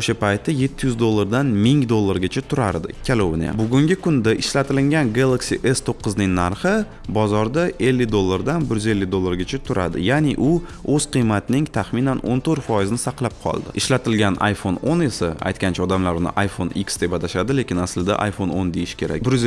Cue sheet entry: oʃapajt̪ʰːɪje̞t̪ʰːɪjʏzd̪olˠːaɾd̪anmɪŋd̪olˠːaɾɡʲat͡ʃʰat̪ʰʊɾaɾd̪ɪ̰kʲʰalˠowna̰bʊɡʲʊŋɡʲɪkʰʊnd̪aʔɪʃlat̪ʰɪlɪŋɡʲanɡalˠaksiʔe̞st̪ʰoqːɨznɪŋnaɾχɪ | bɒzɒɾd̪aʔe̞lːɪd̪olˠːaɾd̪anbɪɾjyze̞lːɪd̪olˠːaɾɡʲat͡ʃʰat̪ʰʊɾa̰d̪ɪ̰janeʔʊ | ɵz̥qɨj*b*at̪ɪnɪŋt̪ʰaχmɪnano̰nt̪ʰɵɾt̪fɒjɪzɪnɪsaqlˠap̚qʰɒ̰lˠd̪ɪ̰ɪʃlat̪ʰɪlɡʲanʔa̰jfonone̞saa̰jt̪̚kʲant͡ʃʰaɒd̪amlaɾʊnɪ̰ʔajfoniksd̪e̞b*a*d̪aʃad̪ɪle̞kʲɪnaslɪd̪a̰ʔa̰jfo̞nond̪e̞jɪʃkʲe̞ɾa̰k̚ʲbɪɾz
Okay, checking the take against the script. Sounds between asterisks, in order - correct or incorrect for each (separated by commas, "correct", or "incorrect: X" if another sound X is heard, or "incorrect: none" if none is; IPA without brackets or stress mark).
incorrect: m, correct